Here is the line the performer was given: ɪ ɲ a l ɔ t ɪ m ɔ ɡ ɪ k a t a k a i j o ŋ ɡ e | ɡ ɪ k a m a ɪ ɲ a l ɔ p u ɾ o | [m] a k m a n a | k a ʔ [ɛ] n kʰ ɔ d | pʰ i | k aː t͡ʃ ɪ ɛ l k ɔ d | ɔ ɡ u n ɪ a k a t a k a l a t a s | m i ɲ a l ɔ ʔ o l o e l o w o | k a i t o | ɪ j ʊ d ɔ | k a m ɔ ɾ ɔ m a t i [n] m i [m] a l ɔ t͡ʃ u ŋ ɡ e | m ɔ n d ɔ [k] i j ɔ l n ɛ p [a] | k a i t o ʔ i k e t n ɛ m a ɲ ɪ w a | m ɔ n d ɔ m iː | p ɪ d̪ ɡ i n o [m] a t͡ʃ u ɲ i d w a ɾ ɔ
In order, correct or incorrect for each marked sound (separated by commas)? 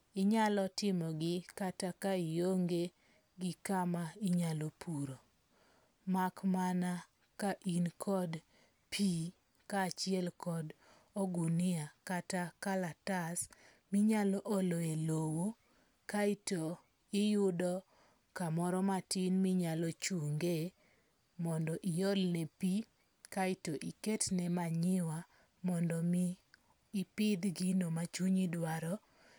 correct, incorrect, correct, incorrect, incorrect, incorrect, correct